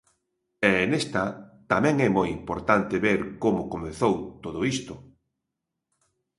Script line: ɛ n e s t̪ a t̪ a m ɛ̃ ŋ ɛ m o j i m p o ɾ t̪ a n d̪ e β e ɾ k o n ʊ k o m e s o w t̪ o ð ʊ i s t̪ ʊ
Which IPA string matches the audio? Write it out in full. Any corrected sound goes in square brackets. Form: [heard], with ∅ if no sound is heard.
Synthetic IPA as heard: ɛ n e s t̪ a t̪ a m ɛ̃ ŋ ɛ m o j i m p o ɾ t̪ a n [t̪] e β e ɾ k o [m] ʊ k o m e [θ] o w t̪ o ð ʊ i s t̪ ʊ